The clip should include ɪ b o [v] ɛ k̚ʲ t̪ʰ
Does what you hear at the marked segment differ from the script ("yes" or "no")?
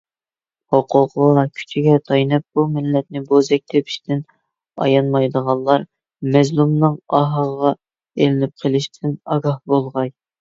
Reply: yes